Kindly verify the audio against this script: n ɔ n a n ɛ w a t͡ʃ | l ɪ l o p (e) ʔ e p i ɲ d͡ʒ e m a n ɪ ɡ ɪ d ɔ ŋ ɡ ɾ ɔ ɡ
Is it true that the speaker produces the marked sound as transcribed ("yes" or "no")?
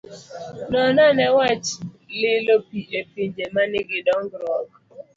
no